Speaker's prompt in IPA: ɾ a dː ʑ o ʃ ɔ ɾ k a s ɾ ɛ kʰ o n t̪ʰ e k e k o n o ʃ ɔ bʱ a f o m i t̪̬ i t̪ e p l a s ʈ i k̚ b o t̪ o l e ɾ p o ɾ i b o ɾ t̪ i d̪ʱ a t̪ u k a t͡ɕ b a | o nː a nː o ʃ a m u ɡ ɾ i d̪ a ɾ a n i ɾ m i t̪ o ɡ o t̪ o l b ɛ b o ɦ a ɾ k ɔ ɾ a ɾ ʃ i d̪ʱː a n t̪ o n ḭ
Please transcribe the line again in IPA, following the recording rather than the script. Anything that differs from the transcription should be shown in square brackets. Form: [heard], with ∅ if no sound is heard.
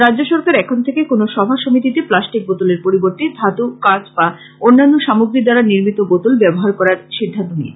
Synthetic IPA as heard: ɾ a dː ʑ o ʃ ɔ ɾ k a [∅] ɾ ɛ kʰ o n t̪ʰ e k e k o n o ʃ ɔ bʱ a [ʃ] o m i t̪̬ i t̪ e p l a s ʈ i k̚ b o t̪ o l e ɾ p o ɾ i b o ɾ t̪ i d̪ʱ a t̪ u k a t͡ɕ b a | o nː a nː o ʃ a m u ɡ ɾ i d̪ a ɾ a n i ɾ m i t̪ o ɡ o t̪ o l b ɛ b o ɦ a ɾ k ɔ ɾ a ɾ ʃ i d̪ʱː a n t̪ o n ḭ

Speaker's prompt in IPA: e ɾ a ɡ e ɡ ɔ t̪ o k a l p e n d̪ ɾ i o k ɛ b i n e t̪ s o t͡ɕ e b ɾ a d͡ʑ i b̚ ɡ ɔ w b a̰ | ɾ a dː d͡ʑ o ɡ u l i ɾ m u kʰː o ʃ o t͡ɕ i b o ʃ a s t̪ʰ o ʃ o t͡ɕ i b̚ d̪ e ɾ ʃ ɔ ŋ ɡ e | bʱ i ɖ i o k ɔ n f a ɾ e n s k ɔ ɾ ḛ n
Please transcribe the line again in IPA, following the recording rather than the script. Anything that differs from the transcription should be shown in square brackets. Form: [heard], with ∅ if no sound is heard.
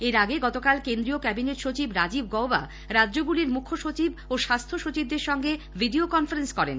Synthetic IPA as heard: e ɾ a ɡ e ɡ ɔ t̪ o k a l [k] e n d̪ ɾ i o k ɛ b i n e t̪ [ʃ] o t͡ɕ [i] b ɾ a d͡ʑ i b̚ ɡ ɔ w b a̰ | ɾ a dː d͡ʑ o ɡ u l i ɾ m u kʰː o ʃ o t͡ɕ i b o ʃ a s t̪ʰ o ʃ o t͡ɕ i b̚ d̪ e ɾ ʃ ɔ ŋ ɡ e | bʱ i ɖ i o k ɔ n f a ɾ e n s k ɔ ɾ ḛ n

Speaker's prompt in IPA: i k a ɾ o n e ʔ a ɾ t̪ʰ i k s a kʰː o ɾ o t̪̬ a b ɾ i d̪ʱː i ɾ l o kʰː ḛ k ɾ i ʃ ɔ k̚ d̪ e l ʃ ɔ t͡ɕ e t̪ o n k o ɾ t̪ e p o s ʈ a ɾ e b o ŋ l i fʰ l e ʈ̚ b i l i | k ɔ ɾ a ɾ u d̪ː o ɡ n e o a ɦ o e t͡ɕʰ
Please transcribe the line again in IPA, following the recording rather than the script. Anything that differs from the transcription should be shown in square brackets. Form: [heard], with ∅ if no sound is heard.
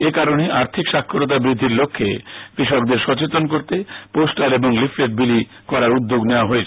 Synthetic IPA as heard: [e] k a ɾ o n e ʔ a ɾ t̪ʰ i k [ʃ] a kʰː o ɾ o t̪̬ a b ɾ i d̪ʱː i ɾ l o kʰː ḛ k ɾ i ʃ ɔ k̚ d̪ e [ɾ] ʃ ɔ t͡ɕ e t̪ o n k o ɾ t̪ e p o s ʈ a ɾ e b o ŋ l i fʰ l e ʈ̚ b i l i | k ɔ ɾ a ɾ u d̪ː o ɡ n e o a ɦ o e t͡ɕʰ

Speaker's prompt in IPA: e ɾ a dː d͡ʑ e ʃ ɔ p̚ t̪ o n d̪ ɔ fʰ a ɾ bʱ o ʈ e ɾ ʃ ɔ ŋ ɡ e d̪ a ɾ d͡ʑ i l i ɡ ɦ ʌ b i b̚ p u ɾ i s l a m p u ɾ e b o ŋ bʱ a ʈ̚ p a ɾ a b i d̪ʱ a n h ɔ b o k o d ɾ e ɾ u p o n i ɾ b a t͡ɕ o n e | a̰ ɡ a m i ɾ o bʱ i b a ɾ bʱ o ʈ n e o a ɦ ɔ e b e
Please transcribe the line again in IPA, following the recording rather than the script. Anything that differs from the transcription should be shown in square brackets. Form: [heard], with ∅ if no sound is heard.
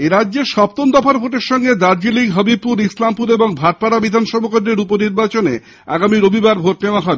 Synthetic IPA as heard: e ɾ a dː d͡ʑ e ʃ ɔ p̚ t̪ o n d̪ ɔ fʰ a ɾ bʱ o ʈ e ɾ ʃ ɔ ŋ ɡ e d̪ a ɾ d͡ʑ i l i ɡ ɦ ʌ b i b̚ p u ɾ i s l a m p u ɾ e b o ŋ bʱ a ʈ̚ p a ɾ a b i d̪ʱ a n [ʃ] ɔ b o k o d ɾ e ɾ u p o n i ɾ b a t͡ɕ o n e | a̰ ɡ a m i ɾ o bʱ i b a ɾ bʱ o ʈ n e o a ɦ ɔ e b e

